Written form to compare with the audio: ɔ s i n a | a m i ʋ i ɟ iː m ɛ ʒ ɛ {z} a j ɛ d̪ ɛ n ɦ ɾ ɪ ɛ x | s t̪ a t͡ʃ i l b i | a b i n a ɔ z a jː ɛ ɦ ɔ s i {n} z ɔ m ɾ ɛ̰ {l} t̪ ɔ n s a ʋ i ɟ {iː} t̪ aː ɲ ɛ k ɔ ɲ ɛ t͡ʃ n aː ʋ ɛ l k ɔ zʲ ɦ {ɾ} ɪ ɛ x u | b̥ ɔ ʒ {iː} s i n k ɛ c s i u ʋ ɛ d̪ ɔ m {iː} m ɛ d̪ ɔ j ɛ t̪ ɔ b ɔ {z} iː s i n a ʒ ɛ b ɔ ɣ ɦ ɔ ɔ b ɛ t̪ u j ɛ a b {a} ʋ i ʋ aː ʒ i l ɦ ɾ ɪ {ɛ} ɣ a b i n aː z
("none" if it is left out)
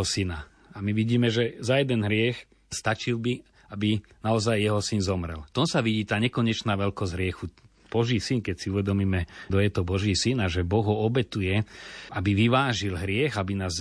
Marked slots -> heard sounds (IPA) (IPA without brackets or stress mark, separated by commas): z, n, l, iː, ɾ, iː, iː, ʒ, i, ɛ